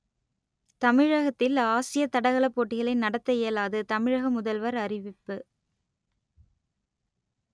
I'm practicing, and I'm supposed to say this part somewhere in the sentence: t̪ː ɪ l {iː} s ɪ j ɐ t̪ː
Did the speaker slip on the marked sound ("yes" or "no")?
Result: yes